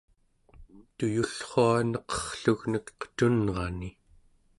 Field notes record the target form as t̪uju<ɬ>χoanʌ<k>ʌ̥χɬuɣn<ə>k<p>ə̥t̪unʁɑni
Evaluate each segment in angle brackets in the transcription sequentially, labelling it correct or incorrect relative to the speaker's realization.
correct, incorrect: q, correct, incorrect: q

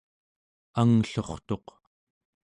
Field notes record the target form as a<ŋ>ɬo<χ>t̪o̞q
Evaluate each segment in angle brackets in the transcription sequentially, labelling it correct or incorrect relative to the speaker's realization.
correct, correct

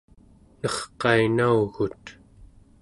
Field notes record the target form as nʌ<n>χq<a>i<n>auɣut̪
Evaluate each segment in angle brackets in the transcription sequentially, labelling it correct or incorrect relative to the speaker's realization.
incorrect: none, incorrect: ɑ, correct

